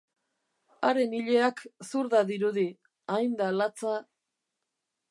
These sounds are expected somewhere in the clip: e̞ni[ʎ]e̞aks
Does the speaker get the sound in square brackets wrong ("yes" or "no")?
no